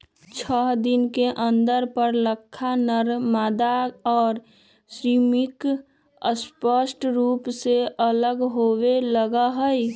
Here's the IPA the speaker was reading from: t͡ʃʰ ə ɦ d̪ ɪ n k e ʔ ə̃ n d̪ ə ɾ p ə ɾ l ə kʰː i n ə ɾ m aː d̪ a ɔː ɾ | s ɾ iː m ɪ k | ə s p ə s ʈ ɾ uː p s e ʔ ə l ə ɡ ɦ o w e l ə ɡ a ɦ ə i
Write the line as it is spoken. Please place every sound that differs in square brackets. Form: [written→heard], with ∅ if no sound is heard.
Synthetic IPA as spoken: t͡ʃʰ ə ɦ d̪ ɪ n k e ʔ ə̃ n d̪ ə ɾ p ə ɾ l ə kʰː [i→a] n ə ɾ m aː d̪ a ɔː ɾ | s ɾ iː m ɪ k | ə s p ə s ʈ ɾ uː p s e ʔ ə l ə ɡ ɦ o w e l ə ɡ a ɦ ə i